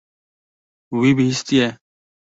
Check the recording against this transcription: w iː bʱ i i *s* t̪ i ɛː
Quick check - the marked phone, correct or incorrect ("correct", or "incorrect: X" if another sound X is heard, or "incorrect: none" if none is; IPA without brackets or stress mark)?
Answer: correct